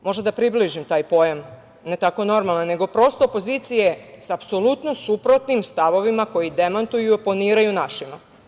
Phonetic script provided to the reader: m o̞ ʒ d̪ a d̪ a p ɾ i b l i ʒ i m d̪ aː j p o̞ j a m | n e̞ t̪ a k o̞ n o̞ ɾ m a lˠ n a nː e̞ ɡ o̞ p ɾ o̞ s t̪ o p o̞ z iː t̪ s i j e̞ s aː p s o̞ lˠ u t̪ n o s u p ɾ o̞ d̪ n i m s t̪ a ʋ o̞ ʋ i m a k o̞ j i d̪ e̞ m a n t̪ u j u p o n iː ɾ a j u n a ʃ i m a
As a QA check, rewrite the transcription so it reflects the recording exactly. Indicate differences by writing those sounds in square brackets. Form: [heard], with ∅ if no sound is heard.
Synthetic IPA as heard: m o̞ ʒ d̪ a d̪ a p ɾ i b l i ʒ i m [t̪] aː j p o̞ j a m | n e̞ t̪ a k o̞ n o̞ ɾ m a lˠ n a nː e̞ ɡ o̞ p ɾ o̞ s t̪ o p o̞ z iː t̪ s i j e̞ s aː p s o̞ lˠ u t̪ n o s u p ɾ o̞ [t̪] n i m s t̪ a ʋ o̞ ʋ i m a k o̞ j i d̪ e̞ m a n t̪ u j u p o n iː ɾ a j u n a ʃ i m a